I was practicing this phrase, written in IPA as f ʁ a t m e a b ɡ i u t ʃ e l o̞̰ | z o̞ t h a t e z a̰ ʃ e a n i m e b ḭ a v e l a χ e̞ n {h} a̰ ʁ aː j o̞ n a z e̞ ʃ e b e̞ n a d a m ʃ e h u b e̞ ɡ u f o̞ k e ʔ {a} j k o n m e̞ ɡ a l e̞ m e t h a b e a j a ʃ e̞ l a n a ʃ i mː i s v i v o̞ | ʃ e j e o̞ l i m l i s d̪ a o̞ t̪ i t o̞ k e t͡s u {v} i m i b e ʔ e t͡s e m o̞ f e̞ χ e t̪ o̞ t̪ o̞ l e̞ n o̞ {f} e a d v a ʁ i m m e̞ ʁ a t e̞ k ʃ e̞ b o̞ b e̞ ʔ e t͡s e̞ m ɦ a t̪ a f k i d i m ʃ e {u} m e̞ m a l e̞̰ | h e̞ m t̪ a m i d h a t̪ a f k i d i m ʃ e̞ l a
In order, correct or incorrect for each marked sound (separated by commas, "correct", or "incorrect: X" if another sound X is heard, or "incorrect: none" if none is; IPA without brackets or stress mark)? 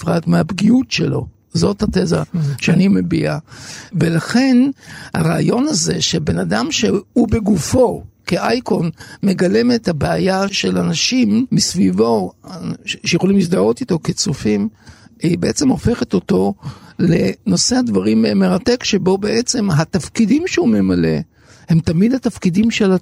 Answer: correct, correct, incorrect: f, incorrect: s, correct